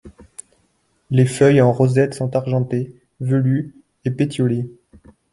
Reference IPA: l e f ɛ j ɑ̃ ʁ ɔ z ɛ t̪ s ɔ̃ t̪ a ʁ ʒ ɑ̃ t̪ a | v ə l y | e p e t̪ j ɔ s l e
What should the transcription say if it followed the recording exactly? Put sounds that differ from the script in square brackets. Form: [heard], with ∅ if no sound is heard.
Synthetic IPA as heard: l e f [œ] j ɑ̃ ʁ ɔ z ɛ t̪ s ɔ̃ t̪ a ʁ ʒ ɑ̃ t̪ [e] | v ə l y | e p e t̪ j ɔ [∅] l e